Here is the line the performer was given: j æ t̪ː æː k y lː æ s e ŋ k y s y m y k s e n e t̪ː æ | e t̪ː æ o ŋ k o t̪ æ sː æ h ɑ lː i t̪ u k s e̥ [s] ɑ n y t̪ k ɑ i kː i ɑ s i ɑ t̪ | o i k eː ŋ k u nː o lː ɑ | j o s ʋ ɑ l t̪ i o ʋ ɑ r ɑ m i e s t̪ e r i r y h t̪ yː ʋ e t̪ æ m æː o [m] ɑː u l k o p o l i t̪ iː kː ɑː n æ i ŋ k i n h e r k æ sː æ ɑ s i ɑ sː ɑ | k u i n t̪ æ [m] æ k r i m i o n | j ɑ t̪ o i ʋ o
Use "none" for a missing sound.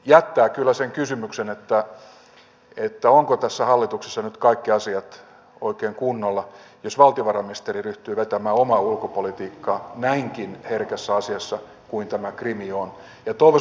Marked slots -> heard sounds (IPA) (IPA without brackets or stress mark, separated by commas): sː, m, m